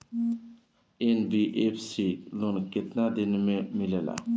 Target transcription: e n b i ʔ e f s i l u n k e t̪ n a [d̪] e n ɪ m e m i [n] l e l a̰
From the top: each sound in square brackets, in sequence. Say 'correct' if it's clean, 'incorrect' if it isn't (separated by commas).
correct, incorrect